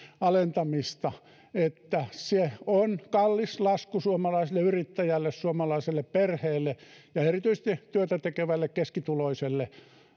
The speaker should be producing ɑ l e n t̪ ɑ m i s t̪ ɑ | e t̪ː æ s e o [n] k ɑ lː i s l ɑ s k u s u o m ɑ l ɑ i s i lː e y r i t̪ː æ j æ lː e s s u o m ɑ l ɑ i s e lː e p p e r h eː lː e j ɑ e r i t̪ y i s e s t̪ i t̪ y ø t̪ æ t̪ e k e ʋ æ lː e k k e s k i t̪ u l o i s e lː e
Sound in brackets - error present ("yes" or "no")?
no